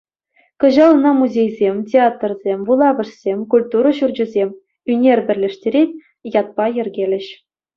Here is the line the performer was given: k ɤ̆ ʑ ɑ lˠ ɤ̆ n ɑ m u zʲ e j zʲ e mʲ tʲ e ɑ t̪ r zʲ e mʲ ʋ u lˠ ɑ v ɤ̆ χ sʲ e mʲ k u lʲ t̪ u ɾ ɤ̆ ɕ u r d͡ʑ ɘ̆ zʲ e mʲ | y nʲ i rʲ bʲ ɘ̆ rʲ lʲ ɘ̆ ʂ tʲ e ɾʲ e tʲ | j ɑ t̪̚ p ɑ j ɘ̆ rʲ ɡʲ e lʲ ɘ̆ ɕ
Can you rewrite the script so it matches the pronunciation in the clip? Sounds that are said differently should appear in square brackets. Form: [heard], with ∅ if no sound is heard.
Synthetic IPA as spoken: k ɤ̆ ʑ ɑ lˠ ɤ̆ n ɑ m u zʲ e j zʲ e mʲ tʲ e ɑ t̪ r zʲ e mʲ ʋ u lˠ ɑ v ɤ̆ [ʂ] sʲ e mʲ k u lʲ t̪ u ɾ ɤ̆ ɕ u r d͡ʑ ɘ̆ zʲ e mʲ | y nʲ [e] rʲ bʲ ɘ̆ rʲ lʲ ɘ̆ ʂ tʲ e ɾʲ e tʲ | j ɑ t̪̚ p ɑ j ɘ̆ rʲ ɡʲ e lʲ ɘ̆ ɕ